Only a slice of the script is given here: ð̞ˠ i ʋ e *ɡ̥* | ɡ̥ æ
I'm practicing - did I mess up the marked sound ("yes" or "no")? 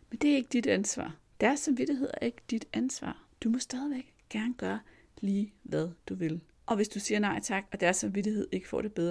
no